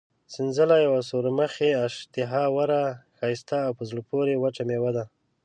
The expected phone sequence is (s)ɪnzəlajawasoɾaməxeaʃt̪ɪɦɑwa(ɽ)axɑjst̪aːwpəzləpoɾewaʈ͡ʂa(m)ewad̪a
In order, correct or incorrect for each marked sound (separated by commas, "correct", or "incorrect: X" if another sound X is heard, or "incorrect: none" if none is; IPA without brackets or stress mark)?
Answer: correct, incorrect: ɾ, correct